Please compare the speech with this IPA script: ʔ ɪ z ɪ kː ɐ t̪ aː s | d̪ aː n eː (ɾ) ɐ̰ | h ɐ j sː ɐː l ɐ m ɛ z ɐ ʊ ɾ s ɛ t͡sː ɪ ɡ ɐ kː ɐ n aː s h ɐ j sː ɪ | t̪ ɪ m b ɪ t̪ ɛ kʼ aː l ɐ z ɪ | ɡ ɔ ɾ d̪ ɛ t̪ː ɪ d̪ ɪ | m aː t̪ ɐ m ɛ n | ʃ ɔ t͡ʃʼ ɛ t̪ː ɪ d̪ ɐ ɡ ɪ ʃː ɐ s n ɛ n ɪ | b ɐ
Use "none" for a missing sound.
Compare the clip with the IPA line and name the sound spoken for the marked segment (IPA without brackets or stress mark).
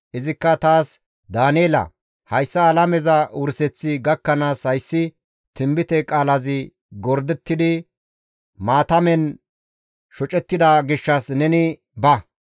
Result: l